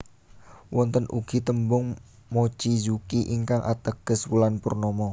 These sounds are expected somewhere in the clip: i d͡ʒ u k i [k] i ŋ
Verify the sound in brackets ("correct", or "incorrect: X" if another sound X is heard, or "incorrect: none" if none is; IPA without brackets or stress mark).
incorrect: ʔ